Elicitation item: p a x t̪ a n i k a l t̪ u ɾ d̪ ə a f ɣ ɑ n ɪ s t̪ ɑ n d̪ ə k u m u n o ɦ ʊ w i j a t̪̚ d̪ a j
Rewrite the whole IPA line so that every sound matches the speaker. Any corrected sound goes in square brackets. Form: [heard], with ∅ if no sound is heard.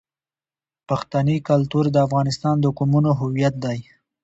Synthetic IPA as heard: p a x t̪ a n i k a l t̪ u ɾ d̪ ə a f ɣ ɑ n ɪ s t̪ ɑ n d̪ ə k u m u n o ɦ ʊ w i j a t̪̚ d̪ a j